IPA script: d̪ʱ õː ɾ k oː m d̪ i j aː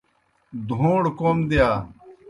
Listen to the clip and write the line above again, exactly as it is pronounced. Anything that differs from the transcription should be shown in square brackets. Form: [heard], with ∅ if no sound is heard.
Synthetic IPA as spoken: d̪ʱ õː [ɽ] k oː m d̪ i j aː